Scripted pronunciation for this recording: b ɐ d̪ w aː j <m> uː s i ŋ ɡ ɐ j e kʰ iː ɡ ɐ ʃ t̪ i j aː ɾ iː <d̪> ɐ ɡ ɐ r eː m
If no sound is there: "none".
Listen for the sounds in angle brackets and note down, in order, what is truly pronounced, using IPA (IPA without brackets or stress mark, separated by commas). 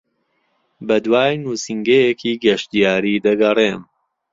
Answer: n, d̪